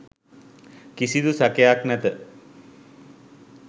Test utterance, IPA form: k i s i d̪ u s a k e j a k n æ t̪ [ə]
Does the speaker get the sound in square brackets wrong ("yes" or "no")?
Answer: no